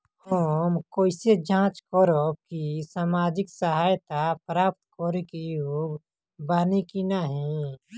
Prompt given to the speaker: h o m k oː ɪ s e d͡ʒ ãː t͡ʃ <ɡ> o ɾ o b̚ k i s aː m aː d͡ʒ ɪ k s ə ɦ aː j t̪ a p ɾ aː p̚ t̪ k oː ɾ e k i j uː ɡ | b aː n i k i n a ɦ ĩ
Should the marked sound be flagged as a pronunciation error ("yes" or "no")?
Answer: yes